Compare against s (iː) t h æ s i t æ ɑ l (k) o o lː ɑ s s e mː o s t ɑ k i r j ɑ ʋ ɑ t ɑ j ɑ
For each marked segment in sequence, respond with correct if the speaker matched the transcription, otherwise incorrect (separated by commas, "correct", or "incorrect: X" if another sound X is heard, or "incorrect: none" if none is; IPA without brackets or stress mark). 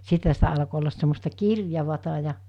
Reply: incorrect: i, correct